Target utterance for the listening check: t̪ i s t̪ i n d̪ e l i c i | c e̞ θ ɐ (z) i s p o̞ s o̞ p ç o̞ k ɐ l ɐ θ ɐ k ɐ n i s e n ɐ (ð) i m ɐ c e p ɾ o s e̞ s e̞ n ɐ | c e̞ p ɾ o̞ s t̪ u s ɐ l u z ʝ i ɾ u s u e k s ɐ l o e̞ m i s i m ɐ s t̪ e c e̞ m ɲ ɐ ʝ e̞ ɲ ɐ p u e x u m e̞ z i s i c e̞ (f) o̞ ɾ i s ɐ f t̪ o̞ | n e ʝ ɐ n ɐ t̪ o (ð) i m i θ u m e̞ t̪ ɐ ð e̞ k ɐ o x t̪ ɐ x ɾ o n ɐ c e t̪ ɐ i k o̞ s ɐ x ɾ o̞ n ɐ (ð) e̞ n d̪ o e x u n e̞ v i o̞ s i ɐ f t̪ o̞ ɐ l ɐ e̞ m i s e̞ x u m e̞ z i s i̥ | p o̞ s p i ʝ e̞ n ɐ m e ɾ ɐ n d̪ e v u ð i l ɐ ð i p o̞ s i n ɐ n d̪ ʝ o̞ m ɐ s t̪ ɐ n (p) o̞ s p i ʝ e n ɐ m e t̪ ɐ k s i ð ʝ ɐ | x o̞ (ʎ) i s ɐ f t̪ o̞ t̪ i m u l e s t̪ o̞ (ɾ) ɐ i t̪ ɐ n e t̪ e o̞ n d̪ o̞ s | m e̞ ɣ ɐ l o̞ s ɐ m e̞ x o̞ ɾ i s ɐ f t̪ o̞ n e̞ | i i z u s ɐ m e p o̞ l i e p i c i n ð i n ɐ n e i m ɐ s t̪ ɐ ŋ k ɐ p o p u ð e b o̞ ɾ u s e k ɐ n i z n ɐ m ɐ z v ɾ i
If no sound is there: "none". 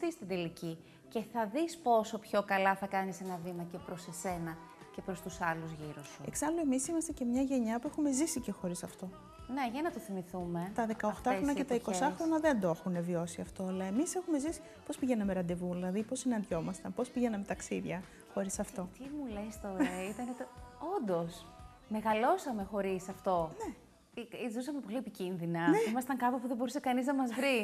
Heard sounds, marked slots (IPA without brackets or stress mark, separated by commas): ð, v, x, θ, ð, p, ɾ, ɾ